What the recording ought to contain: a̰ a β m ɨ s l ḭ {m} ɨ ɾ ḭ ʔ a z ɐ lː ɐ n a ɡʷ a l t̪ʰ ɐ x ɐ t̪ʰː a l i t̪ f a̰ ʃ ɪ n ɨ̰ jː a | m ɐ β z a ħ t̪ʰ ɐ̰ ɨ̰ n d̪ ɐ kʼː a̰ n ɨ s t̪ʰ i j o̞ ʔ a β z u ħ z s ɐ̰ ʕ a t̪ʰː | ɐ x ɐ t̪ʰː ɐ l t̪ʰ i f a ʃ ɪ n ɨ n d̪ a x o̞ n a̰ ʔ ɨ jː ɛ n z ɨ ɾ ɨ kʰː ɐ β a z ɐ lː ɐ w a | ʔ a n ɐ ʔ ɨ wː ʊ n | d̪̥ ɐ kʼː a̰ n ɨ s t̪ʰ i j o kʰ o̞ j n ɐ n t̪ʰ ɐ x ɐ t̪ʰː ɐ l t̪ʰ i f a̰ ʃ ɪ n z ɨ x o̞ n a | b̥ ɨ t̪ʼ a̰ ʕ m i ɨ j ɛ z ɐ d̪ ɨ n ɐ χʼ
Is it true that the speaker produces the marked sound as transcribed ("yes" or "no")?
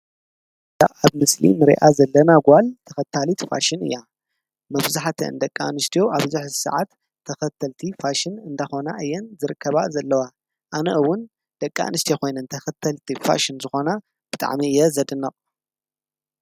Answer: yes